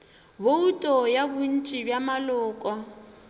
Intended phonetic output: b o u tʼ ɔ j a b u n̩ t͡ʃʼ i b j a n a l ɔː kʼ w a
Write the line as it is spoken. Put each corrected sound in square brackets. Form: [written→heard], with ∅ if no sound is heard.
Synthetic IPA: b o u tʼ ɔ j a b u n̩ t͡ʃʼ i b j a [n→m] a l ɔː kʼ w a